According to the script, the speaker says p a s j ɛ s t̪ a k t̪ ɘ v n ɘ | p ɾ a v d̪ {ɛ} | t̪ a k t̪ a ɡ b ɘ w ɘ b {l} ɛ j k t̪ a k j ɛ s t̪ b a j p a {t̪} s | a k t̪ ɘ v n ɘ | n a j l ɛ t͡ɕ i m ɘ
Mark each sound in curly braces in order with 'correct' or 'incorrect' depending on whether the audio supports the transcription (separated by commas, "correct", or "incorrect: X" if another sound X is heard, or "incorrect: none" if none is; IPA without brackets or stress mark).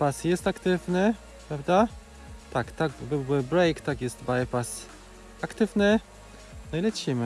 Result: incorrect: a, incorrect: ɾ, incorrect: none